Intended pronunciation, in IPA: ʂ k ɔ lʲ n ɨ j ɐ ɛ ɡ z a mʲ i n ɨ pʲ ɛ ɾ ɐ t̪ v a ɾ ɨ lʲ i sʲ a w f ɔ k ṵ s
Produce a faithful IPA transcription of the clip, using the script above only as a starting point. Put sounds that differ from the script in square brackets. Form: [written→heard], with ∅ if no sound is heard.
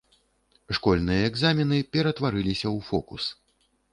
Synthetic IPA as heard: ʂ k ɔ lʲ n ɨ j ɐ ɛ ɡ z a mʲ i n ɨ pʲ ɛ ɾ ɐ t̪ v a ɾ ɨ lʲ i sʲ [a→ɐ] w f ɔ k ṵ s